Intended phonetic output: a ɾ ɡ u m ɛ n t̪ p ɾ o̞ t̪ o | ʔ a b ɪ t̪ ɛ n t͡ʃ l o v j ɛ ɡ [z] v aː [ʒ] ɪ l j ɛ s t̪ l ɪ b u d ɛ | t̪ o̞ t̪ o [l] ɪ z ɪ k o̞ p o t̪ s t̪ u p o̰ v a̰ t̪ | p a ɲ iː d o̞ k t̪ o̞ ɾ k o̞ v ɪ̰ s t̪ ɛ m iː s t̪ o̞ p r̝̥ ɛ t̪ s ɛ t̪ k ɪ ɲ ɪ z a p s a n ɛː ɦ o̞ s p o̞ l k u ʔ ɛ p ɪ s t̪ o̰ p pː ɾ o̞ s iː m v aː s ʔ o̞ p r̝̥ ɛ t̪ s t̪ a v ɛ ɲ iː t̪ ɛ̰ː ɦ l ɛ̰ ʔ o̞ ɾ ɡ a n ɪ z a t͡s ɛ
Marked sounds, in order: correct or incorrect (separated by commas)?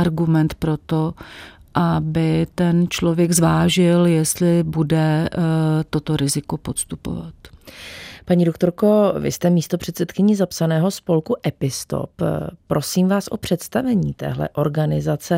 correct, correct, incorrect